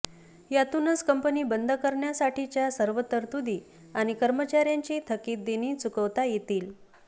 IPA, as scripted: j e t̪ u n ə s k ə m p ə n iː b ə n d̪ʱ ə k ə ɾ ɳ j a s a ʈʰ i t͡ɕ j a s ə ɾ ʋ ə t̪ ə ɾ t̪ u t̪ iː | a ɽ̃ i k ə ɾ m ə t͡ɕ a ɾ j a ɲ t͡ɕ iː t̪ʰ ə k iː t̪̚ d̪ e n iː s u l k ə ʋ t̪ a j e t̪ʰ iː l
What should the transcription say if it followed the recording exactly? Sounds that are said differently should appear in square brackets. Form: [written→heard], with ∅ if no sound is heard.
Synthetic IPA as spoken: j [e→a] t̪ u n ə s k ə m p ə n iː b ə n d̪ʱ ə k ə ɾ ɳ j a s a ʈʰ i t͡ɕ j a s ə ɾ ʋ ə t̪ ə ɾ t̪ u [t̪→d̪] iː | a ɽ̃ i k ə ɾ m ə t͡ɕ a ɾ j a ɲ t͡ɕ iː t̪ʰ ə k iː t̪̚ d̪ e n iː [s→t͡s] u [l→∅] k ə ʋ t̪ a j e [t̪ʰ→t̪] iː l